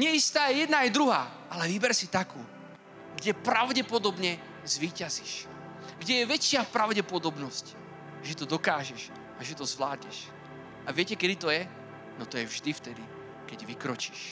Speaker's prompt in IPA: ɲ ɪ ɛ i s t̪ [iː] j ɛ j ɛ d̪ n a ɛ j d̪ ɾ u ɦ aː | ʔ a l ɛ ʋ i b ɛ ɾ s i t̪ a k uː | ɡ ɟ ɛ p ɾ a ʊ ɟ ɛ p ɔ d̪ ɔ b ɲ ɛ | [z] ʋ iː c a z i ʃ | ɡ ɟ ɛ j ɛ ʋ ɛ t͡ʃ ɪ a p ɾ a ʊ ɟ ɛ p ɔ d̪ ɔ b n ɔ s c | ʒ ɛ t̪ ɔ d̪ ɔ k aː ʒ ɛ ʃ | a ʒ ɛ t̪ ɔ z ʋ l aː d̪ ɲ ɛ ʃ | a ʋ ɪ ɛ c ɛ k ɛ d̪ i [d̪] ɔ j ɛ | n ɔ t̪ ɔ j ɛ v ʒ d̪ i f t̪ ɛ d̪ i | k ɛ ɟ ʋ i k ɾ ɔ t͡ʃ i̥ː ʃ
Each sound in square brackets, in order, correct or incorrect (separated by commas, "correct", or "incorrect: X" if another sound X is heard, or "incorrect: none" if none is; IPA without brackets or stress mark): incorrect: aː, correct, incorrect: t̪